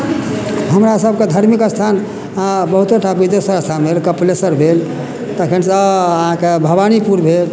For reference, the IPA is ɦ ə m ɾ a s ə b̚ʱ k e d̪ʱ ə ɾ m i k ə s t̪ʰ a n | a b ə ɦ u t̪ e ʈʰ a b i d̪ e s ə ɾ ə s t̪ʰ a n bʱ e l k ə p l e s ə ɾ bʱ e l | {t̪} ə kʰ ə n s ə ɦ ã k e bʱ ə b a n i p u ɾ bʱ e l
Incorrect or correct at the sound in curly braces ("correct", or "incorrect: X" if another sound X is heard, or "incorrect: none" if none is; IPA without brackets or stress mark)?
correct